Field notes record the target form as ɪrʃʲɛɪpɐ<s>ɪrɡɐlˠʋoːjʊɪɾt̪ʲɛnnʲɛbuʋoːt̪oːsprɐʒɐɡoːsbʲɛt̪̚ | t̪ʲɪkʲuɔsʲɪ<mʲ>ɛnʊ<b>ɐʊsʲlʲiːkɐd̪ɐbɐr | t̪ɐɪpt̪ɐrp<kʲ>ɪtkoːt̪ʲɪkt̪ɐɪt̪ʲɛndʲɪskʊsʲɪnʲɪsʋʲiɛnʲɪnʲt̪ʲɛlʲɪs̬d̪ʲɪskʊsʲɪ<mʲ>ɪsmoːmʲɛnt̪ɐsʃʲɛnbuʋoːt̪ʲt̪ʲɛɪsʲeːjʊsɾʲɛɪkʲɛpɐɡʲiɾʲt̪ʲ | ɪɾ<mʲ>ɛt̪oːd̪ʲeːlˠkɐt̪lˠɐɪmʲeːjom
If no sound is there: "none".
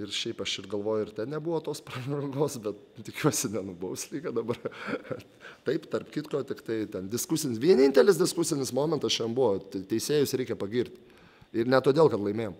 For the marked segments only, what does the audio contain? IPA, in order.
ʃ, nʲ, b, kʲ, nʲ, nʲ

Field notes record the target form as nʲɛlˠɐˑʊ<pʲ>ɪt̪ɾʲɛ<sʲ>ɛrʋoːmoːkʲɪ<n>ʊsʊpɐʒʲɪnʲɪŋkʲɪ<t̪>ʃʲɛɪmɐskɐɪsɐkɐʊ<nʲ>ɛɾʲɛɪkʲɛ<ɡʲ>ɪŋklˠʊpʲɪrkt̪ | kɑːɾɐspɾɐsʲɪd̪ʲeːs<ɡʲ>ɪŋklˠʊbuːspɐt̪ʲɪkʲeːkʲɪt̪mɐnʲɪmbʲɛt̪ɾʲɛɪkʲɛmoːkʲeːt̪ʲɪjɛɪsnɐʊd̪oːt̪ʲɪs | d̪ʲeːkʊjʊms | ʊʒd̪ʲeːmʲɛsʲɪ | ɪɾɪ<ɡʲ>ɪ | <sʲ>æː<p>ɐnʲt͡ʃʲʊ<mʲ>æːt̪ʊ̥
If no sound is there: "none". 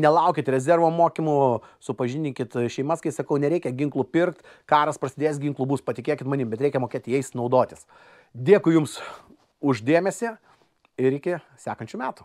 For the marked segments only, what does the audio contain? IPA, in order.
kʲ, zʲ, m, t̪, nʲ, ɡʲ, ɡʲ, kʲ, sʲ, k, mʲ

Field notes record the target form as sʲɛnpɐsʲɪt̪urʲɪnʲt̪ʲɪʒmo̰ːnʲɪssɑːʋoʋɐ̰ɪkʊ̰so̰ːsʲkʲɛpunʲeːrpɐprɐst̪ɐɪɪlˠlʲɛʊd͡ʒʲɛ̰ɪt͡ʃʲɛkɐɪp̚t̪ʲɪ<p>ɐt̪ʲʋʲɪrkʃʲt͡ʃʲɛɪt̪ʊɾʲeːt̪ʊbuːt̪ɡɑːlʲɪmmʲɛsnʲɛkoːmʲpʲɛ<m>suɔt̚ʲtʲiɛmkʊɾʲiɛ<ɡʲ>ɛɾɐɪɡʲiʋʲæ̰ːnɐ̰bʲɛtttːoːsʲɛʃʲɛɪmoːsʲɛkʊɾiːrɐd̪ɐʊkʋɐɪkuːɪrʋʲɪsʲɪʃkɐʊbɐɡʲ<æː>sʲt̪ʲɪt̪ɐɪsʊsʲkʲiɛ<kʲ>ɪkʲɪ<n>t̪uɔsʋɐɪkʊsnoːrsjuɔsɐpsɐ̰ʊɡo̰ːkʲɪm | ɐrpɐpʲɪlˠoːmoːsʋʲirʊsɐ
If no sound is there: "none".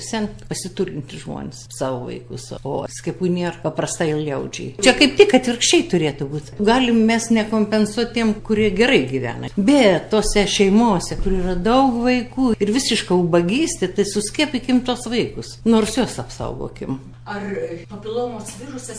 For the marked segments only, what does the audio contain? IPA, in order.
k, n, ɡʲ, iː, pʲ, m

